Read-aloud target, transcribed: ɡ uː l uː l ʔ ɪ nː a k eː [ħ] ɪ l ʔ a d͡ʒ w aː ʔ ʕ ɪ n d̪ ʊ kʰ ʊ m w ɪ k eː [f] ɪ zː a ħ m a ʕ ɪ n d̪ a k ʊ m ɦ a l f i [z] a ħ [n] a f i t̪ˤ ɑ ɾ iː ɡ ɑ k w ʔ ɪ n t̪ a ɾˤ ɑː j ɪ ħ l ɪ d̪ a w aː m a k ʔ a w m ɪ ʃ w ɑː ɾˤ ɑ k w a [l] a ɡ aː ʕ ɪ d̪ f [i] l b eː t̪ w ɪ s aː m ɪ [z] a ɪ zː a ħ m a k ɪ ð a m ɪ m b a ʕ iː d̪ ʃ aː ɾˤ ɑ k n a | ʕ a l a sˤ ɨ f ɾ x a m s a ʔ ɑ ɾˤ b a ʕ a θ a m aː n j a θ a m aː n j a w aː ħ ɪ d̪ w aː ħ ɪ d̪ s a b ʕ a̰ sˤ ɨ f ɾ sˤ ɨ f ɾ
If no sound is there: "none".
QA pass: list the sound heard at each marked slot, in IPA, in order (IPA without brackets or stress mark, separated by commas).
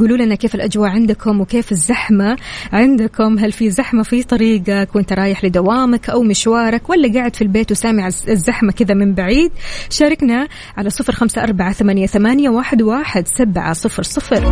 f, f, z, m, lː, i, ʕ